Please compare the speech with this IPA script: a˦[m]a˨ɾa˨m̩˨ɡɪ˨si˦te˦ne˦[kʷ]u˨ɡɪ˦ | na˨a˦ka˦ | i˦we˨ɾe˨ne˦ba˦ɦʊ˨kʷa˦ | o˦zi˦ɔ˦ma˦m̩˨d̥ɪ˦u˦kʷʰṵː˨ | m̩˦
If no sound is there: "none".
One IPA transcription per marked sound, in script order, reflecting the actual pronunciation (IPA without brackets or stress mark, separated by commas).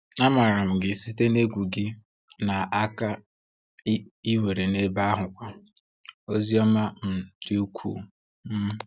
m, ɡʷ